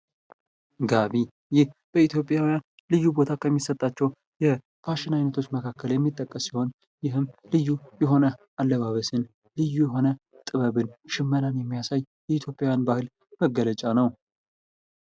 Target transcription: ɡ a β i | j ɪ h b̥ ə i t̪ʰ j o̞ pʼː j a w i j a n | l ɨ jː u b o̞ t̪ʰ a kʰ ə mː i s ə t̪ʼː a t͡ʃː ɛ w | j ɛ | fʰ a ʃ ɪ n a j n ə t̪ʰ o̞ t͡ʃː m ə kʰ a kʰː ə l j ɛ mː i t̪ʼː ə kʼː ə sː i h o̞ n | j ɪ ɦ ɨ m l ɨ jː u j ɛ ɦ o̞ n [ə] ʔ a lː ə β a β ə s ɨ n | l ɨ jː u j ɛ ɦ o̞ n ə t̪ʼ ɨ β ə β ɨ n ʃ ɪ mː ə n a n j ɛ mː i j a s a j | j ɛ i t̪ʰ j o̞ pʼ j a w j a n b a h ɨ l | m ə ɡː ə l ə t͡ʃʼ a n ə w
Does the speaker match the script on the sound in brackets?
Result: yes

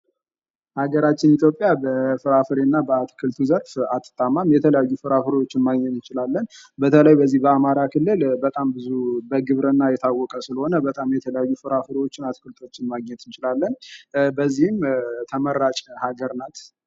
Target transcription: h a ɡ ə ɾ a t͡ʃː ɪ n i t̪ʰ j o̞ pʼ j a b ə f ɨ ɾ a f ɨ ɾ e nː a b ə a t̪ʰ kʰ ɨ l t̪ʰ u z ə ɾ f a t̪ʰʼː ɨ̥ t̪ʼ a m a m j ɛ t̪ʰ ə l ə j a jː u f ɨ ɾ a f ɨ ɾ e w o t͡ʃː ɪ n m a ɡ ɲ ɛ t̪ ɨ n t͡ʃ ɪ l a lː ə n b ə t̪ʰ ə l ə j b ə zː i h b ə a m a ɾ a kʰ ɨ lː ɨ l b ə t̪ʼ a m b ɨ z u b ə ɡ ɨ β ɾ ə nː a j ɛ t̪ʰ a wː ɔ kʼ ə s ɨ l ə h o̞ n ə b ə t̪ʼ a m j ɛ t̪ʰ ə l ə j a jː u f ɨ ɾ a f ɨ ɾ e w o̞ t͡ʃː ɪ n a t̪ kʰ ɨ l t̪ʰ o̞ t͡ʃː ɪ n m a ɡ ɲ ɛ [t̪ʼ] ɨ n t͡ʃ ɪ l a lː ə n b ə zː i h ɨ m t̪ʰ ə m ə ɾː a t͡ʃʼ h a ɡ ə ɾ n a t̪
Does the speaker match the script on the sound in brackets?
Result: no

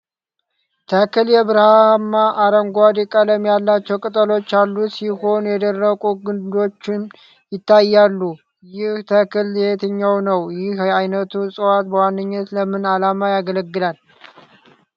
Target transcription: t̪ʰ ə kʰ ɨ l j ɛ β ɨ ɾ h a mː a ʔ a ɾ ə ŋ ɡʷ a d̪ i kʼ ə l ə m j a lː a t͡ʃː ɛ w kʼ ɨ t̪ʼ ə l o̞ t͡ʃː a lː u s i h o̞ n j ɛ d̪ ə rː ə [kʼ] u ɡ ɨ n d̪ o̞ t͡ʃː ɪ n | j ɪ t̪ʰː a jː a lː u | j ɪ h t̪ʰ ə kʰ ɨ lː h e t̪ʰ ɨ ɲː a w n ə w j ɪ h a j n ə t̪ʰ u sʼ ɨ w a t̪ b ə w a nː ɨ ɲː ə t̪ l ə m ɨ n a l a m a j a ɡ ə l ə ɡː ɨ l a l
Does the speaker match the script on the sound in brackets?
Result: yes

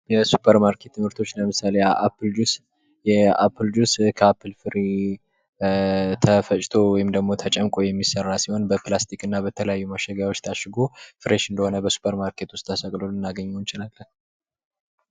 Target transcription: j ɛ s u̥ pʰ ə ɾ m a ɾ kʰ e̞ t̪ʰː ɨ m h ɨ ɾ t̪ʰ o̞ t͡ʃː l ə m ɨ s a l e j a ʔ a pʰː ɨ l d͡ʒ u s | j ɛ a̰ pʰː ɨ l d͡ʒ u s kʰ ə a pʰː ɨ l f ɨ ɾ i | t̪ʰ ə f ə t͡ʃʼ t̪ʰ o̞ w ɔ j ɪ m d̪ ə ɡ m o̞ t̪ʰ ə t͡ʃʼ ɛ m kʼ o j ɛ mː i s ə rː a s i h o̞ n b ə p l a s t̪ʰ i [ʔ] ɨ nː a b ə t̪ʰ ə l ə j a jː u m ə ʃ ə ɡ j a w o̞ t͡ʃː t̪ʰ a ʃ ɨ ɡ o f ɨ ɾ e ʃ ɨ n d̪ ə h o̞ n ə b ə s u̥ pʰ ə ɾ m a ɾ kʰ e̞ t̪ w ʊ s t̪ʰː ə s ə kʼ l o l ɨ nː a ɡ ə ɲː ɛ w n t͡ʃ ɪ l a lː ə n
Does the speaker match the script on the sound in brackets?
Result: no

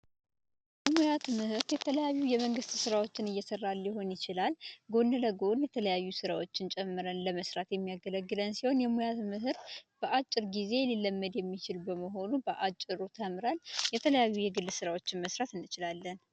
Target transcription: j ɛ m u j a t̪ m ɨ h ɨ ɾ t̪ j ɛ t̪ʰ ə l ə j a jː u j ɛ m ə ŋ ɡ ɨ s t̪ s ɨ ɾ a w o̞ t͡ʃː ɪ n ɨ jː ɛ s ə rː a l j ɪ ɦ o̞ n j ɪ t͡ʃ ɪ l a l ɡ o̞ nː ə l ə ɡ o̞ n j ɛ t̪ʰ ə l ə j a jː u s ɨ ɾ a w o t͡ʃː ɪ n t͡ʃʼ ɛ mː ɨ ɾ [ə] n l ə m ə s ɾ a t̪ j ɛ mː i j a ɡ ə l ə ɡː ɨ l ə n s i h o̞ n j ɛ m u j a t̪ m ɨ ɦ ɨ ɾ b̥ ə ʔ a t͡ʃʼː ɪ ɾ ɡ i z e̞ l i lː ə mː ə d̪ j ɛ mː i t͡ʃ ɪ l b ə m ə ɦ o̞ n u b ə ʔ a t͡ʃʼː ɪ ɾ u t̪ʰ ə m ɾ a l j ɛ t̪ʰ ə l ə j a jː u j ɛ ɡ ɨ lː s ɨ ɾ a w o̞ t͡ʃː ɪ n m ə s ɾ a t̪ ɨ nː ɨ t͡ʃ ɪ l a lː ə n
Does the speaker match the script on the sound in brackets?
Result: yes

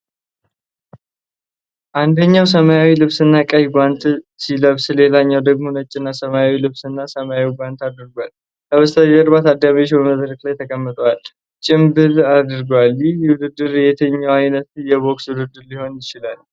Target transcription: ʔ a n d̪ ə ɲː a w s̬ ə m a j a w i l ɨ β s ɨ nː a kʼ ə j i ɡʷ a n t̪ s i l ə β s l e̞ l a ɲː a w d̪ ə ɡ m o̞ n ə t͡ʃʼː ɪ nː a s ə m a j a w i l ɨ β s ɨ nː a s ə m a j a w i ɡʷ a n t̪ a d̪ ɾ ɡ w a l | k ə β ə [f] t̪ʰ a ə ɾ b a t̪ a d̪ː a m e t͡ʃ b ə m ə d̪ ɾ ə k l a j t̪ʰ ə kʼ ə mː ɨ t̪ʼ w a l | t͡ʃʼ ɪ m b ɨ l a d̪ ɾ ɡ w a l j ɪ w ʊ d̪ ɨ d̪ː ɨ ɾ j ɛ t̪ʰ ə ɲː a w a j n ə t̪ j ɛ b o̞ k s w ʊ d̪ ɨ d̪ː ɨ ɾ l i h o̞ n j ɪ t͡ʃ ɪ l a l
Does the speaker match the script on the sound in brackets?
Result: no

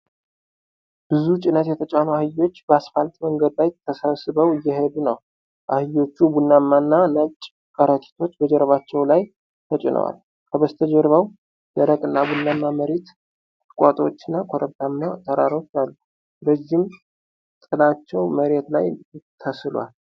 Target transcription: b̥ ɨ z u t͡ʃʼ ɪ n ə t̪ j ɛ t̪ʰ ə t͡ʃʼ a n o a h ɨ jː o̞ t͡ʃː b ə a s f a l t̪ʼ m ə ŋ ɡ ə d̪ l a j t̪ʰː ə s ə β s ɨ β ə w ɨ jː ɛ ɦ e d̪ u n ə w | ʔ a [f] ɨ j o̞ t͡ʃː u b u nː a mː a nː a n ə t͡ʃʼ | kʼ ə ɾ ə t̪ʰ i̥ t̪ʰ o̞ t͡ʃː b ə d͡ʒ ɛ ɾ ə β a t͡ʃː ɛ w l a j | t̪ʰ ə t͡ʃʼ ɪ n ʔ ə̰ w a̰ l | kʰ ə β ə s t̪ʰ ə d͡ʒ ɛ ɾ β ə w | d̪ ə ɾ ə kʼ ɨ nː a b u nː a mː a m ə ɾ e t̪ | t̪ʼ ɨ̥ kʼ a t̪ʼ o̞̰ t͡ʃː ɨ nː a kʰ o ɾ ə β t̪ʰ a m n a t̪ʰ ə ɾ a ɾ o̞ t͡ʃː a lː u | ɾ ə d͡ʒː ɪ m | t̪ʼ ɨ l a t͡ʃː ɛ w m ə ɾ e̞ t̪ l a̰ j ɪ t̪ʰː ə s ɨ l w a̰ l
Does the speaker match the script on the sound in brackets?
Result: no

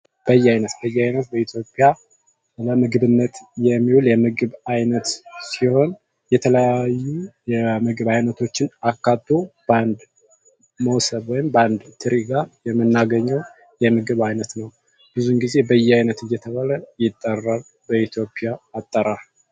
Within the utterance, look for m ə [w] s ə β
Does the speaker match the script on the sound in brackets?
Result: yes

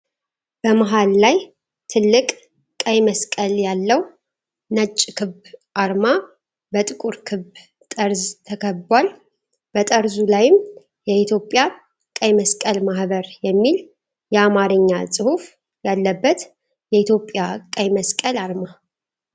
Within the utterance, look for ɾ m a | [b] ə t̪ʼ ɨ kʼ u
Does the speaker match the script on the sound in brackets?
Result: yes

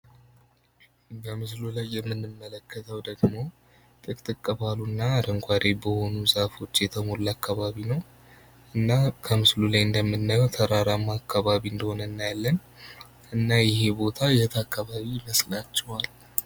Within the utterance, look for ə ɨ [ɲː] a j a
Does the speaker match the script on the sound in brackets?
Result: no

